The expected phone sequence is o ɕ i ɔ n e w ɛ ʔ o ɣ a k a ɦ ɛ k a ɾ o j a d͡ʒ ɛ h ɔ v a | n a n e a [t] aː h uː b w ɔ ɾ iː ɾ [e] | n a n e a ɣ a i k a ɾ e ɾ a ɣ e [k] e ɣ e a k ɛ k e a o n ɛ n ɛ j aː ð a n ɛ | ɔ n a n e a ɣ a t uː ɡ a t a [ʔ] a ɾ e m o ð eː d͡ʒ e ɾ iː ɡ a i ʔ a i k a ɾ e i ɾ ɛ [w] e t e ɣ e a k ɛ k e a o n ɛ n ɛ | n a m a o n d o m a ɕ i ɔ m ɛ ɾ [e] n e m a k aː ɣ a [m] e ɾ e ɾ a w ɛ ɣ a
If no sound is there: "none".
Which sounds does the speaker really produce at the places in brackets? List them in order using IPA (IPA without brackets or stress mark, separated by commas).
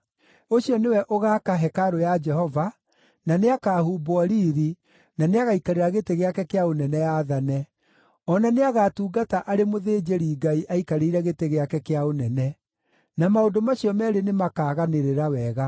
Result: k, i, t, ʔ, ɣ, e, n